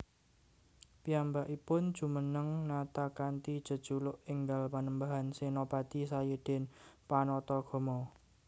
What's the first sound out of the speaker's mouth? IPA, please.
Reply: p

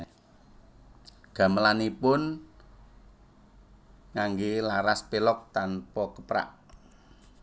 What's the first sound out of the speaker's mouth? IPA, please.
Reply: ɡ̥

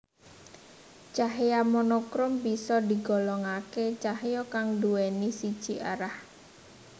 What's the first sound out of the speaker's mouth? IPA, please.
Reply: t͡ʃ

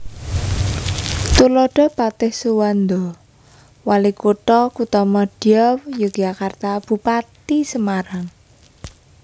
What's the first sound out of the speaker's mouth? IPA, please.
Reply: t̪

